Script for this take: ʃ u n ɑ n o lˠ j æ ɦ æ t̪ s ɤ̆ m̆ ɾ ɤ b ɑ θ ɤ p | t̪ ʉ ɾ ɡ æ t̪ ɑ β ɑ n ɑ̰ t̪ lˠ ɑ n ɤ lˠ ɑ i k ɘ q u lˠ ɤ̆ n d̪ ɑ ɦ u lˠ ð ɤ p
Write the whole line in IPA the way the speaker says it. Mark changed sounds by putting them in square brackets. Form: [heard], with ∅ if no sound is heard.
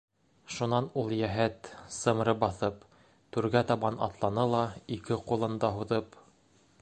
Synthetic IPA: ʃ u n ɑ n [u] lˠ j æ ɦ æ t̪ s ɤ̆ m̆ ɾ ɤ b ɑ θ ɤ p | t̪ ʉ ɾ ɡ æ t̪ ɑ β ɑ n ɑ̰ t̪ lˠ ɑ n ɤ lˠ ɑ i k ɘ q u lˠ ɤ̆ n d̪ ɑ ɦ u [∅] ð ɤ p